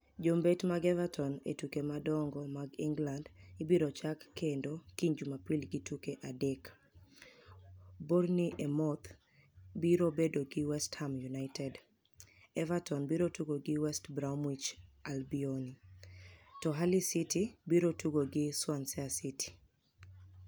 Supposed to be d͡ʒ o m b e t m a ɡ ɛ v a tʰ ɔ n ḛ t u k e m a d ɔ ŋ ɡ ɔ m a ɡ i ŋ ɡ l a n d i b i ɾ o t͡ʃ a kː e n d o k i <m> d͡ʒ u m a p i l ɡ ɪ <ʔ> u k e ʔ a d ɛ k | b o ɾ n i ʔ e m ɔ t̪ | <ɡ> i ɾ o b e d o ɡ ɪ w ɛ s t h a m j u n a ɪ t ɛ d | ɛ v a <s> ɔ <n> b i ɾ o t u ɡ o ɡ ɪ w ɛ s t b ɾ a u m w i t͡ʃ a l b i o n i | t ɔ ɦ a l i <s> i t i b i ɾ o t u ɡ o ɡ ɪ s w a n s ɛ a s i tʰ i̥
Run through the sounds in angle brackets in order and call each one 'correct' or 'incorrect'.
incorrect: ɲ, incorrect: t, incorrect: b, incorrect: t, correct, correct

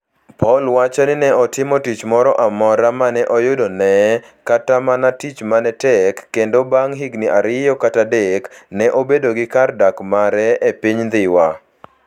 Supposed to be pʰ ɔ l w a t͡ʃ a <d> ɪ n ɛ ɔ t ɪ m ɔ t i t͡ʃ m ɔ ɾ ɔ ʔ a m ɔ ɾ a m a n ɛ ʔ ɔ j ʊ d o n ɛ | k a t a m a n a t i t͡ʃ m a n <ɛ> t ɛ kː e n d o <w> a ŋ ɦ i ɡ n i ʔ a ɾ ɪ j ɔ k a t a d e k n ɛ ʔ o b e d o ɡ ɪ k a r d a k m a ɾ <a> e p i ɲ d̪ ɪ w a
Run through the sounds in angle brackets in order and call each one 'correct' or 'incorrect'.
incorrect: n, correct, incorrect: b, incorrect: ɛ

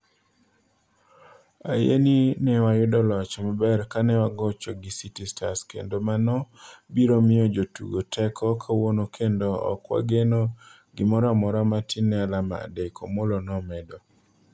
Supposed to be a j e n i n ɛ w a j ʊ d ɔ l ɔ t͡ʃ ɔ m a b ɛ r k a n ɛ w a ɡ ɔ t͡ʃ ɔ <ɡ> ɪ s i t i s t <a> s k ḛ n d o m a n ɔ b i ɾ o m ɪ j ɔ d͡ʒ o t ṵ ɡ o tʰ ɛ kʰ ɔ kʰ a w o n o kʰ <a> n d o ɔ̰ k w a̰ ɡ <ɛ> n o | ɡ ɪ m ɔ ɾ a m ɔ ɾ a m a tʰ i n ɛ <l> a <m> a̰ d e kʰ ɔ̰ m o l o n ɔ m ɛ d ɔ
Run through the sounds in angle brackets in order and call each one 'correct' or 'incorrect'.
correct, correct, incorrect: e, incorrect: e, correct, correct

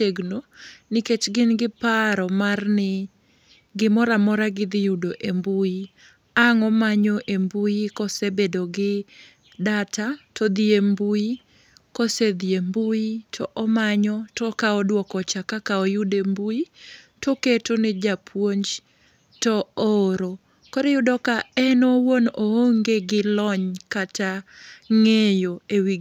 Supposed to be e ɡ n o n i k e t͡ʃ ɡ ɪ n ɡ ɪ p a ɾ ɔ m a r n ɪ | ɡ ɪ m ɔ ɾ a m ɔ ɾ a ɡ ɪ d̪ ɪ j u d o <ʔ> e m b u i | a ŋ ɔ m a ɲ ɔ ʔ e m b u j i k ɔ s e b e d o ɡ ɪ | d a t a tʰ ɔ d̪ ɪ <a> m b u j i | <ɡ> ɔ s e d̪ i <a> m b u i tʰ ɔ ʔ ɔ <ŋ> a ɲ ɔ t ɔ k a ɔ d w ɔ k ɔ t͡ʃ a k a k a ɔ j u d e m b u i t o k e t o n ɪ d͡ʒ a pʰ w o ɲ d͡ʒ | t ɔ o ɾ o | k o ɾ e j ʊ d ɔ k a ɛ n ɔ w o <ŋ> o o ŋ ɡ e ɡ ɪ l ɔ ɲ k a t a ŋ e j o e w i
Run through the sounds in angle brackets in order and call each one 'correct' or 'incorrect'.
correct, incorrect: e, incorrect: k, incorrect: e, incorrect: m, incorrect: n

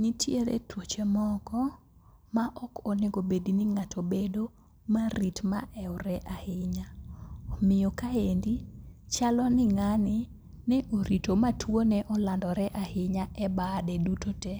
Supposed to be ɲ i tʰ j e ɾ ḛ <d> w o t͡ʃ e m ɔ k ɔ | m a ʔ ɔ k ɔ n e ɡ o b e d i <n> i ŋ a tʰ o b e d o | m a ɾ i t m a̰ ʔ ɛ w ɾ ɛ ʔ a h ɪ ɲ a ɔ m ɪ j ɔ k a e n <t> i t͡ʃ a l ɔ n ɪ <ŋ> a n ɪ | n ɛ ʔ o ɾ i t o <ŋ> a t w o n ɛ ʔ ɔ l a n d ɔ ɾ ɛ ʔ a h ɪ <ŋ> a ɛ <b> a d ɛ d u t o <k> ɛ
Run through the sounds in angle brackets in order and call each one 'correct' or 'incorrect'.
incorrect: t, correct, incorrect: d, correct, incorrect: m, incorrect: ɲ, correct, incorrect: t

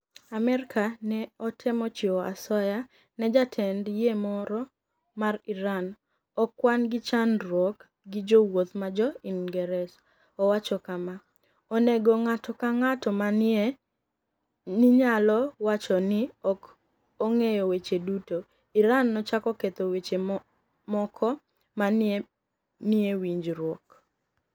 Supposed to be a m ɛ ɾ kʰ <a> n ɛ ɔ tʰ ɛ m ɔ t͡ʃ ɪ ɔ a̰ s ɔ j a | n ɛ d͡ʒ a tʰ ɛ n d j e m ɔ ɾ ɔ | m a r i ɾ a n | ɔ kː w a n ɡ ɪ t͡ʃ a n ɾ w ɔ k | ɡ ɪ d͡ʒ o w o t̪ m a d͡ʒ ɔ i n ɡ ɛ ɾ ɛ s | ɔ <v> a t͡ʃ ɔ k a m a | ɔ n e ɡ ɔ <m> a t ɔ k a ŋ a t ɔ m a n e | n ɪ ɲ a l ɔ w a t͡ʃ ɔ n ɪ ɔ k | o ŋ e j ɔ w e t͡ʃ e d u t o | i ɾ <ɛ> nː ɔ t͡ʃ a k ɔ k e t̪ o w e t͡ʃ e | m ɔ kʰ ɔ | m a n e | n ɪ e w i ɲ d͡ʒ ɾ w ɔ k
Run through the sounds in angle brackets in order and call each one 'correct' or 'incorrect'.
correct, incorrect: w, incorrect: ŋ, incorrect: a

